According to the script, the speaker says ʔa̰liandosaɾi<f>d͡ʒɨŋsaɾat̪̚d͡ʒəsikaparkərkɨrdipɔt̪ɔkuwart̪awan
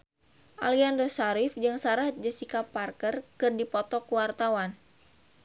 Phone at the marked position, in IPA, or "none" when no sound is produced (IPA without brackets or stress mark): f